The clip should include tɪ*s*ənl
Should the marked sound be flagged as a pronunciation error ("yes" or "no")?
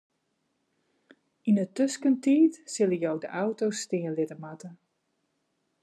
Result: yes